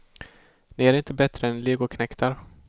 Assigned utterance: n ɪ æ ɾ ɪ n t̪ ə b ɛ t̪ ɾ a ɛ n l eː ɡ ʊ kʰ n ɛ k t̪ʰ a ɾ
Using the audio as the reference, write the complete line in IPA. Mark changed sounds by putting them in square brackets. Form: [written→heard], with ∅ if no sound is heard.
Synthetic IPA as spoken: n ɪ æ ɾ ɪ n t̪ ə b ɛ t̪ ɾ [a→ə] ɛ n l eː ɡ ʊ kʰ n ɛ k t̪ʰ a ɾ